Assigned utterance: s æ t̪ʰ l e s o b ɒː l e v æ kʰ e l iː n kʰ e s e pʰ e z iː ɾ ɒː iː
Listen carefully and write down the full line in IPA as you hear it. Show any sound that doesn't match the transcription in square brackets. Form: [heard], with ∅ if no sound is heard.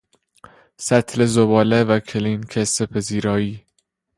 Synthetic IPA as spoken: s æ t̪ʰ l e [z] o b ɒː l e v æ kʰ e l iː n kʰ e s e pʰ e z iː ɾ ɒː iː